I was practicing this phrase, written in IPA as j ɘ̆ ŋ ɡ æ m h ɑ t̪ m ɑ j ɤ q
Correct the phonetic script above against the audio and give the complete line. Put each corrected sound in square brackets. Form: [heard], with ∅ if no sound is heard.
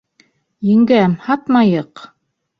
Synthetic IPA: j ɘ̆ ŋ ɡ æ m h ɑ t̪ m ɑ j ɤ q